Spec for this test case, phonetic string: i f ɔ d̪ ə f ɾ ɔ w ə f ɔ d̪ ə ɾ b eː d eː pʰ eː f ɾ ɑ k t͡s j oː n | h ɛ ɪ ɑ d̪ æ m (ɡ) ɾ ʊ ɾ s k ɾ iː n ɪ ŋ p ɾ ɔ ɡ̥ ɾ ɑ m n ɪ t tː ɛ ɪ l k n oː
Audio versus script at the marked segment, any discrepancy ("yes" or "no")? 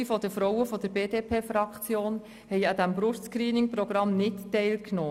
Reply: yes